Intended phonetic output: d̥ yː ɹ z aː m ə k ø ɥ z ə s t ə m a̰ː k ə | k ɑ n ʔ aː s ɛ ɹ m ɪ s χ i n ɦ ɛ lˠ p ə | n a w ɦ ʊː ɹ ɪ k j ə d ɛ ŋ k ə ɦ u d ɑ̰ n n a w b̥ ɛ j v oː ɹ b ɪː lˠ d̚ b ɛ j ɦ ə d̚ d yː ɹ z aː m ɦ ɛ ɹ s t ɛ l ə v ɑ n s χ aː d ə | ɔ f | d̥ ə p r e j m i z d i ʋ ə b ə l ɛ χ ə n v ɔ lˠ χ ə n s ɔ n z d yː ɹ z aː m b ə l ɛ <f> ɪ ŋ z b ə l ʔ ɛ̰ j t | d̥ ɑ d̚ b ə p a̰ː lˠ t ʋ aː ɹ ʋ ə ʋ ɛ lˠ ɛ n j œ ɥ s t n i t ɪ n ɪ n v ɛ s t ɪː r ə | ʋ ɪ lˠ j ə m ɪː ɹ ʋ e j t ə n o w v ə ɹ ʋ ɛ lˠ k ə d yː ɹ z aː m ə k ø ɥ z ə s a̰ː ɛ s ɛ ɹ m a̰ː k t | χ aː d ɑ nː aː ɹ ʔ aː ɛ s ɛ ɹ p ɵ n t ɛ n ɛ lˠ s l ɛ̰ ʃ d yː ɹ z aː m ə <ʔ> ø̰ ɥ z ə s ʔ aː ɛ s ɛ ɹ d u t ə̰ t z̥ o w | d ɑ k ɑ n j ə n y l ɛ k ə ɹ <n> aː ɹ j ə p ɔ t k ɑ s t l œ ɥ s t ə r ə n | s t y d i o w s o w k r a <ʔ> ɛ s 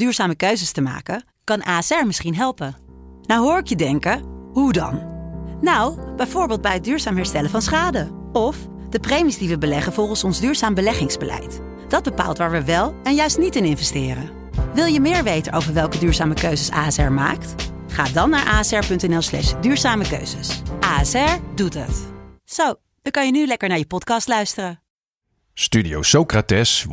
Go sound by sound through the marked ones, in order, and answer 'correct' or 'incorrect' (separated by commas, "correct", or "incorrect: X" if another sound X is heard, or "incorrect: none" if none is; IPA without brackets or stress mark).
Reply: incorrect: χ, incorrect: k, correct, incorrect: t